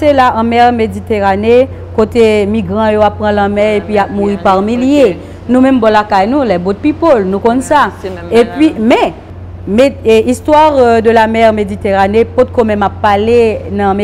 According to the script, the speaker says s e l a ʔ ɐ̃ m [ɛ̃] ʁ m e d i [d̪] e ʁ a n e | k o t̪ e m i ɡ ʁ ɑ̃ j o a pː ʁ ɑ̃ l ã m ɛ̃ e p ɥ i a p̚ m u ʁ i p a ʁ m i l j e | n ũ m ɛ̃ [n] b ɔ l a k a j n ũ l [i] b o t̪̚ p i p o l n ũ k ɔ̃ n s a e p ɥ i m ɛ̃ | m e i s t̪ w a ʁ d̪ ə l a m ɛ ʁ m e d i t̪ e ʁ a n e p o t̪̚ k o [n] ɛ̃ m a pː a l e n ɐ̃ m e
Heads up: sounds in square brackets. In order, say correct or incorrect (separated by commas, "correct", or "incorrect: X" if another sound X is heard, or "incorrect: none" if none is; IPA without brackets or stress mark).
incorrect: ɛ, incorrect: t̪, incorrect: m, incorrect: ɛ, incorrect: m